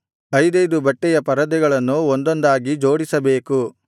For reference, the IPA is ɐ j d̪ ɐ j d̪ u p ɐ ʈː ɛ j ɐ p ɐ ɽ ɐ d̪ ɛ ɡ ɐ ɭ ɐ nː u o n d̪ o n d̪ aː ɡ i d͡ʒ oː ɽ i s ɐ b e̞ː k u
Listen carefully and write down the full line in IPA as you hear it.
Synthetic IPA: ɐ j d̪ ɐ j d̪ u b ɐ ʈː ɛ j ɐ p ɐ ɾ ɐ d̪ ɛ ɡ ɐ ɭ ɐ nː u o n d̪ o n d̪ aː ɡ i d͡ʒ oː ɽ i s ɐ b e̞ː k u